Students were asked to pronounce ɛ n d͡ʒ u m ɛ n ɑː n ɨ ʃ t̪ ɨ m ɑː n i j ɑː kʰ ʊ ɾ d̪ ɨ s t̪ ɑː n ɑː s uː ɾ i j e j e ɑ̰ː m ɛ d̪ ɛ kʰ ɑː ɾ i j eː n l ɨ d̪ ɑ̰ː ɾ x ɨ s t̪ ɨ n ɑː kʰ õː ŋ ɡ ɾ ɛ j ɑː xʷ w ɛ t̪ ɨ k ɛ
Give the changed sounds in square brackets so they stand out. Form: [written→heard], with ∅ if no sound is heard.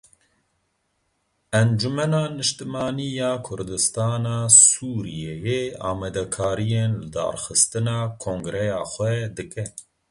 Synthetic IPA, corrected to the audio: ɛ n d͡ʒ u m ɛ n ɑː n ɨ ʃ t̪ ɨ m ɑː n i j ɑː kʰ ʊ ɾ d̪ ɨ s t̪ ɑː n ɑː s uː ɾ i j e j e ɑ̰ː m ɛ d̪ ɛ kʰ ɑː ɾ i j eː n l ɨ d̪ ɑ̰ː ɾ x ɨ s t̪ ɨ n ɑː kʰ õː ŋ ɡ ɾ ɛ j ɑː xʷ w ɛ [t̪→d̪] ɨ k ɛ

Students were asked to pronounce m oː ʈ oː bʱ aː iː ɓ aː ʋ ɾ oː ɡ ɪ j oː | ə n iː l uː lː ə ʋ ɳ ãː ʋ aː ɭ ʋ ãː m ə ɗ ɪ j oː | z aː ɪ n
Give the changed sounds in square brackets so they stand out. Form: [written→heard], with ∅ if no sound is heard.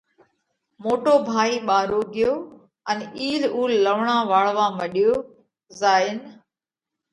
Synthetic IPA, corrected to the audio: m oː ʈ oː bʱ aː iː ɓ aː [ʋ→∅] ɾ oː ɡ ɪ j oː | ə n iː l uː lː ə ʋ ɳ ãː ʋ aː ɭ ʋ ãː m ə ɗ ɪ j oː | z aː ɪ n

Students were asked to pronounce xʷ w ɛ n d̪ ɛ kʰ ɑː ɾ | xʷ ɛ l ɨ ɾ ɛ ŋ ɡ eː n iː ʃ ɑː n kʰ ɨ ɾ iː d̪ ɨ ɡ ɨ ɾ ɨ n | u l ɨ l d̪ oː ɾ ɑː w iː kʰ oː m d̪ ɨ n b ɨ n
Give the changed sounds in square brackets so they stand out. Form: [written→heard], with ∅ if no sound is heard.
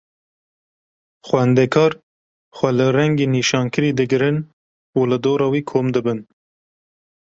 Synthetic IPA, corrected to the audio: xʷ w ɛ n d̪ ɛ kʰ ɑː ɾ | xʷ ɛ l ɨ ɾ ɛ ŋ ɡ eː n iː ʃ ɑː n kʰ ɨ ɾ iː d̪ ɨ ɡ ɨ ɾ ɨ n | u l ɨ [l→∅] d̪ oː ɾ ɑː w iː kʰ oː m d̪ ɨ [n→∅] b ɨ n

